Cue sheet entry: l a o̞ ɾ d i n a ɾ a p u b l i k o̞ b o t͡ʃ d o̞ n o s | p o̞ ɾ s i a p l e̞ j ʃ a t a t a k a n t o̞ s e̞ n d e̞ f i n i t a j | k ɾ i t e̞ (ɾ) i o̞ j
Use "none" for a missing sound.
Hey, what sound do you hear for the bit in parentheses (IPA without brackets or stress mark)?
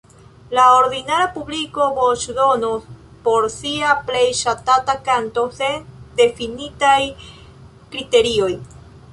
ɾ